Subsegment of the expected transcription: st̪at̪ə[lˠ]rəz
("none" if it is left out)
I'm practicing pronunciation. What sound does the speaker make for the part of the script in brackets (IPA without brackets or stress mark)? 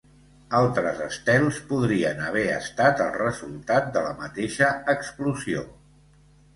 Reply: lˠ